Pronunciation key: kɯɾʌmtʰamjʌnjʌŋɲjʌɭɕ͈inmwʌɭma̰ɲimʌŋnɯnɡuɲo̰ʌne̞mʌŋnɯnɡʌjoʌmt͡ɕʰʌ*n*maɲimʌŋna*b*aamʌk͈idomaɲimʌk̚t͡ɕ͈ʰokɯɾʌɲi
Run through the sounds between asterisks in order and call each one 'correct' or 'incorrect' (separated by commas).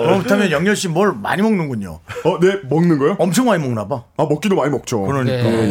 incorrect, correct